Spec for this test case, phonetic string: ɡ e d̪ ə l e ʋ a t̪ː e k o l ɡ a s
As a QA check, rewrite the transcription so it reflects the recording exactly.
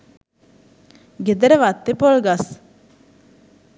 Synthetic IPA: ɡ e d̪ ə ɾ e ʋ a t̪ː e p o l ɡ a s

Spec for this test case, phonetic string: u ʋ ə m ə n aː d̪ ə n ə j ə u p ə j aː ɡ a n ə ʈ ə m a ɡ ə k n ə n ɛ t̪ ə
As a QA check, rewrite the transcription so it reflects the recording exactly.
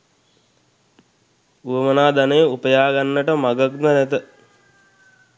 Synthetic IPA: u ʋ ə m ə n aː d̪ a n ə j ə u p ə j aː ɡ a nː ə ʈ ə m a ɡ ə k n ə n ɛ t̪ ə

